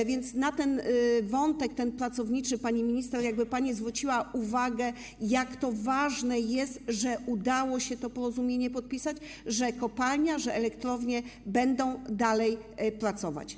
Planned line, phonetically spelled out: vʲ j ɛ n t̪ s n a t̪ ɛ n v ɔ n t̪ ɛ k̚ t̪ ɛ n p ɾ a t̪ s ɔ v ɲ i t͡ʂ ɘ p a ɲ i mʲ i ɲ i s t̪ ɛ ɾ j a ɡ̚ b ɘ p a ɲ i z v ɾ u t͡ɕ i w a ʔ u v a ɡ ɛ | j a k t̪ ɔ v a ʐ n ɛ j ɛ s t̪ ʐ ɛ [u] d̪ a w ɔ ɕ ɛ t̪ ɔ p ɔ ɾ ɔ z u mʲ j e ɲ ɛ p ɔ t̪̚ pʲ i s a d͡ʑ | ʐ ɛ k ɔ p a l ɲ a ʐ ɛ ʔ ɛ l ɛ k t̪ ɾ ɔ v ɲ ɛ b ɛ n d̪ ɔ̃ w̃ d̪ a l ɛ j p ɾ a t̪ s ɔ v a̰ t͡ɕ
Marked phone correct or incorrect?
correct